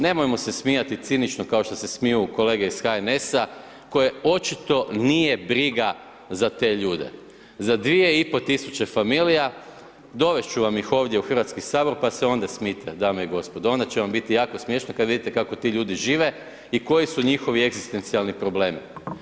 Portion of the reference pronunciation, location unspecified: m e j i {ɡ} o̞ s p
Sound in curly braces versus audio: correct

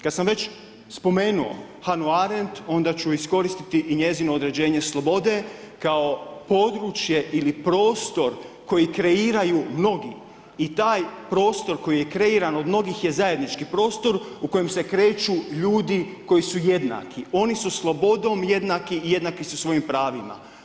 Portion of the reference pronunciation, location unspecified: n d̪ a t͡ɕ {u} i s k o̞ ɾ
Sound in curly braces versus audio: correct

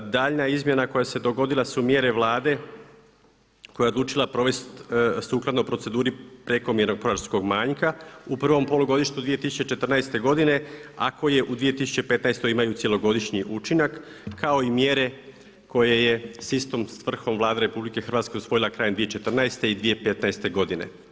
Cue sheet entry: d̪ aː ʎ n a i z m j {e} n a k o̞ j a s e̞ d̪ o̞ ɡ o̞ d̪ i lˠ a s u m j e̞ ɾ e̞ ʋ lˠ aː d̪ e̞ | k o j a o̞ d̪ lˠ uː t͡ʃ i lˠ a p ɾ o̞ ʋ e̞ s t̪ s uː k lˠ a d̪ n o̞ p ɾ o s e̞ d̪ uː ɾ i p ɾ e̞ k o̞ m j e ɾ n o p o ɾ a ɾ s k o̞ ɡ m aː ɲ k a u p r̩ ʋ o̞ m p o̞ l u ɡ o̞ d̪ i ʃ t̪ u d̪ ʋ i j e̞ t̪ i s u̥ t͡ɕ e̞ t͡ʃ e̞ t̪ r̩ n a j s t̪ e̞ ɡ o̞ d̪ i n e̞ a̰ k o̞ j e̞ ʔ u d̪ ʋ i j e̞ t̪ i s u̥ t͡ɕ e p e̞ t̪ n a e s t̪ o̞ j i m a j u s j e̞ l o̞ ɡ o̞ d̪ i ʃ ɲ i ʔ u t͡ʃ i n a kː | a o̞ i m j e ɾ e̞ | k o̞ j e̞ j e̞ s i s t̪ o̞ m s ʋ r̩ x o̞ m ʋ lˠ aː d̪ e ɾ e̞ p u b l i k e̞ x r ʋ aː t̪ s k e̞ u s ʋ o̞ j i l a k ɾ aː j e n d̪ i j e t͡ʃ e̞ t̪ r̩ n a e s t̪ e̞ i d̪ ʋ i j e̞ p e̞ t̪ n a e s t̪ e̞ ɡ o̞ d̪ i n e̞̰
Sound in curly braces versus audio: correct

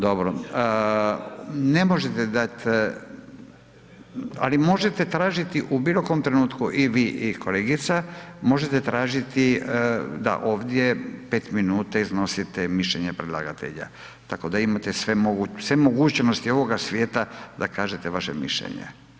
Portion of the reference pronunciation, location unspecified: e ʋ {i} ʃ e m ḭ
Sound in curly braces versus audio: incorrect: a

